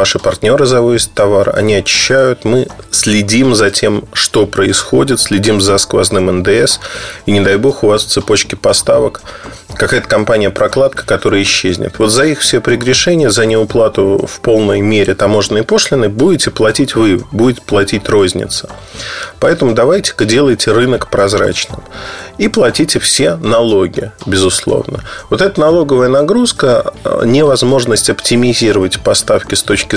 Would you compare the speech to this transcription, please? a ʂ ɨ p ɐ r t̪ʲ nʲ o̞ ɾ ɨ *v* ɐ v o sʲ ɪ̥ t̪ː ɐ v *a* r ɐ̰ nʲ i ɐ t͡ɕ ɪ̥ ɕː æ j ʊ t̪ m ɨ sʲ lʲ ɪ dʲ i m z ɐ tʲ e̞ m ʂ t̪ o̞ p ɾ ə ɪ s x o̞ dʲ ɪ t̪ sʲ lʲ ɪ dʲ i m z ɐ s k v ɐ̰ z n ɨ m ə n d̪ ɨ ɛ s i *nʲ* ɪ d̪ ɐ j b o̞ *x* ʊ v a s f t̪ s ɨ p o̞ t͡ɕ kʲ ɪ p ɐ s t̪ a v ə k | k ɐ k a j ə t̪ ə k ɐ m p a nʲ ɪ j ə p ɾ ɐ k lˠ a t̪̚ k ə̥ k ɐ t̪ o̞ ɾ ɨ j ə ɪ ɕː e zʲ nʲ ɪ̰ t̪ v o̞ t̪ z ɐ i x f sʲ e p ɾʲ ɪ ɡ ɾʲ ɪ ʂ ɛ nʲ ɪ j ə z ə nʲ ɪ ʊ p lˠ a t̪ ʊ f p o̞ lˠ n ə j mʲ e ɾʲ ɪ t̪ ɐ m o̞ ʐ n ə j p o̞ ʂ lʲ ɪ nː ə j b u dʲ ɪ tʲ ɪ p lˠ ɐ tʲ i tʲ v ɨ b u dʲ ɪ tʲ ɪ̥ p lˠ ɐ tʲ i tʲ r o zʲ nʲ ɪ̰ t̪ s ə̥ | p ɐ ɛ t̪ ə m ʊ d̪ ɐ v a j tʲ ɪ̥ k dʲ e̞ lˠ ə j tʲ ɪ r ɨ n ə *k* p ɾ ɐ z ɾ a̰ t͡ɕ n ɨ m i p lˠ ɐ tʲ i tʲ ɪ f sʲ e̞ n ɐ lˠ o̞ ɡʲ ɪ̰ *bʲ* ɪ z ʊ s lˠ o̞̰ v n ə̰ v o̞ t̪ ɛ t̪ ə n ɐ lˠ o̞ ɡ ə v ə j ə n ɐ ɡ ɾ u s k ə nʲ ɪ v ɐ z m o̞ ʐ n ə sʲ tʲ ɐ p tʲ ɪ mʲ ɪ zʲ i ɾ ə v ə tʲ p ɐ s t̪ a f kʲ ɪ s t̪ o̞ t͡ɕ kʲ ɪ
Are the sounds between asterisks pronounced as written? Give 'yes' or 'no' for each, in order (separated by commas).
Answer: no, yes, yes, yes, yes, yes